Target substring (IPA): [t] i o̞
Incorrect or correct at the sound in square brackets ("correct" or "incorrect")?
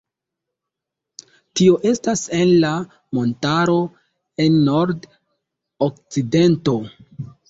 correct